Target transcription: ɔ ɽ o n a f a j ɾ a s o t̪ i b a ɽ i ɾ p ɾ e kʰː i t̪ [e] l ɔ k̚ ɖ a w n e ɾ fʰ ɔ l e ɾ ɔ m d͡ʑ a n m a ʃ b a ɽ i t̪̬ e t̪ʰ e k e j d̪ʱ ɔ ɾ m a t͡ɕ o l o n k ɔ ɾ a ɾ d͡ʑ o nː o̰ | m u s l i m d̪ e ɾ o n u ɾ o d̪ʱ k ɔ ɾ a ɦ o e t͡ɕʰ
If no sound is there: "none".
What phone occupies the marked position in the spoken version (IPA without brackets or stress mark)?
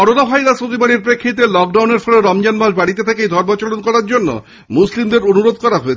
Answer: e